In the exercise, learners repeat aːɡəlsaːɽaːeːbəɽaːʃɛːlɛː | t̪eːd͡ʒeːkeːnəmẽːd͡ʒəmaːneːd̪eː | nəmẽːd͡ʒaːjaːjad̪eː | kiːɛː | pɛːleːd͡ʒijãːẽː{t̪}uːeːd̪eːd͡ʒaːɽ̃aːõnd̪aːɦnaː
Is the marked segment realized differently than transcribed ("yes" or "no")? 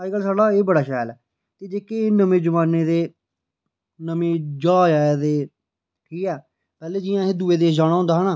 yes